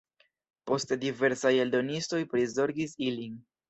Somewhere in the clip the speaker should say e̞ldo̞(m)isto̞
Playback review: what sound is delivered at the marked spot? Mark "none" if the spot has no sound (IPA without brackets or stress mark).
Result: n